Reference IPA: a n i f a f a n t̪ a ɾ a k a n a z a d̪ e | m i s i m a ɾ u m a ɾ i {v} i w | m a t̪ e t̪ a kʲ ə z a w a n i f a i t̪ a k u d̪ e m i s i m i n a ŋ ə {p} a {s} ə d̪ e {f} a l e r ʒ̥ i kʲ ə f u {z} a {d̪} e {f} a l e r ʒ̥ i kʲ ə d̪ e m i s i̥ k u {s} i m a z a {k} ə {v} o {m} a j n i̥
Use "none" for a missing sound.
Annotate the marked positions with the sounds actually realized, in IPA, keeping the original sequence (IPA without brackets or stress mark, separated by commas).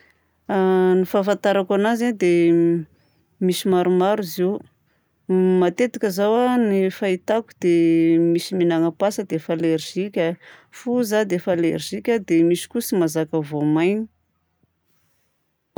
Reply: z, p, s, f, z, d̪, f, s, k, v, m